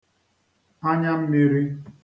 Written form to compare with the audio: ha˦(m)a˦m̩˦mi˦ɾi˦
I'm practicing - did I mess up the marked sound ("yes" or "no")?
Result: yes